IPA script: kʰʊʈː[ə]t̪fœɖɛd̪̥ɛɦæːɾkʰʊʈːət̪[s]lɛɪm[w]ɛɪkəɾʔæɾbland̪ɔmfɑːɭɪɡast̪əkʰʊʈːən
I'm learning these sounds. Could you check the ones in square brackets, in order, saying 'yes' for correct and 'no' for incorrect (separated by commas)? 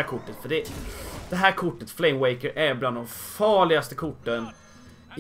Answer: yes, no, yes